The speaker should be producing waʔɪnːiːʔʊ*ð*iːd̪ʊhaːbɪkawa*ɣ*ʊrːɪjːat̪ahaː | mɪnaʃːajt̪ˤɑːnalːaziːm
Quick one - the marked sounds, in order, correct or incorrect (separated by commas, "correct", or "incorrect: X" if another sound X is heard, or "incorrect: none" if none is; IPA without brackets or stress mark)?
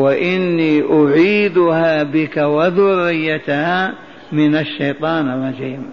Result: incorrect: ʕ, incorrect: ð